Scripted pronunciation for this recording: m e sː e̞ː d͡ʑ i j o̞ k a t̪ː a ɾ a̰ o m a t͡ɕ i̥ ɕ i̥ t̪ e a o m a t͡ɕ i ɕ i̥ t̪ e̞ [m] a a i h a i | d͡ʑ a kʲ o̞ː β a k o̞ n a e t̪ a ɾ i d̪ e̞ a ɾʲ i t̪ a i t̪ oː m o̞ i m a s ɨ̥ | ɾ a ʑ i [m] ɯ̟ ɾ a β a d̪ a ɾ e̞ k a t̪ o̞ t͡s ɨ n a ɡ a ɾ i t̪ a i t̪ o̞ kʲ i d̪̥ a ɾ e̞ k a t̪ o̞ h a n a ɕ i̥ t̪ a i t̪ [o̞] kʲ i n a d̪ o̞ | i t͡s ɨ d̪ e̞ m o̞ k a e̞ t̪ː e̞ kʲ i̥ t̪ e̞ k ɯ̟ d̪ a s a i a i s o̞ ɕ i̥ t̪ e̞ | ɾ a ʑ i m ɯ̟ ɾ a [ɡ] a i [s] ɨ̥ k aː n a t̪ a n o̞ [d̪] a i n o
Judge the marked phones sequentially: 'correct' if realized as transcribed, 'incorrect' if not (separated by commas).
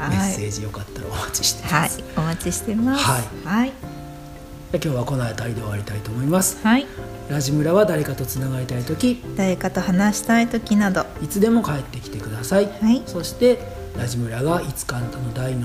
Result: correct, correct, correct, correct, incorrect, correct